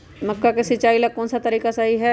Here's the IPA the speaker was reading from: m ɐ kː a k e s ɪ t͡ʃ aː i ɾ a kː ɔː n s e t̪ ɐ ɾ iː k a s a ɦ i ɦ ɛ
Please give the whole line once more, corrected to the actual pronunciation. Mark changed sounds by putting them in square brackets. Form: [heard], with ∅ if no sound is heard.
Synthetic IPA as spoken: m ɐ kː a k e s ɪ t͡ʃ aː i [l] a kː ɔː n s [a] t̪ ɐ ɾ iː k a s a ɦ i ɦ ɛ